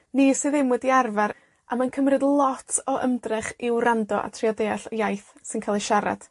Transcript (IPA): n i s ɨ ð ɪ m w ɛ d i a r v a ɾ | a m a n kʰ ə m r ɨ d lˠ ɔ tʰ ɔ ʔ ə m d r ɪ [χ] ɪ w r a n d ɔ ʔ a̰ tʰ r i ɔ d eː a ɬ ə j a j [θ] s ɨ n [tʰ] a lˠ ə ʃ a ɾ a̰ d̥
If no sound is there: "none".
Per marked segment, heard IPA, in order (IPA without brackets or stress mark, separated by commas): χ, θ, kʰ